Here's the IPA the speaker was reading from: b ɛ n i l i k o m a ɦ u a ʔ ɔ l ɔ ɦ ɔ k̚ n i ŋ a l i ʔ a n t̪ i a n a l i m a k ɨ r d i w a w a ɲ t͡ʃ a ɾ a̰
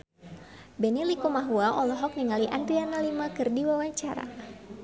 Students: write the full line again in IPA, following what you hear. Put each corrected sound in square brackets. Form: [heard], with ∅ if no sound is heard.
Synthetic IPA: b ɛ n i l i k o m a ɦ u a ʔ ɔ l ɔ ɦ ɔ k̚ n i ŋ a l i ʔ a n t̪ i a n a l i m a k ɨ r d i w a w a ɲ t͡ʃ a ɾ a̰